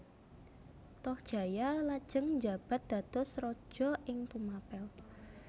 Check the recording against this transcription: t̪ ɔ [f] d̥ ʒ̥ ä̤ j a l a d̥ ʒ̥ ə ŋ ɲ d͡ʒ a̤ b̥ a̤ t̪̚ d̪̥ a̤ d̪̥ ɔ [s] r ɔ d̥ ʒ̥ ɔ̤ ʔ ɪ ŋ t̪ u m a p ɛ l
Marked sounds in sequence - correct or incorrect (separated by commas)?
incorrect, correct